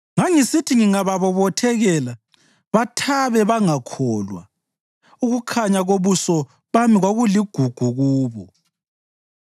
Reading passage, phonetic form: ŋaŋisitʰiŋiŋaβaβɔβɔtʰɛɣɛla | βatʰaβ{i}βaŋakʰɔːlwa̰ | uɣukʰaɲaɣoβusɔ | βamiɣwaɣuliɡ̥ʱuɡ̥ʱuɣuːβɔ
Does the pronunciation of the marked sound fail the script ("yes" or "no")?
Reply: yes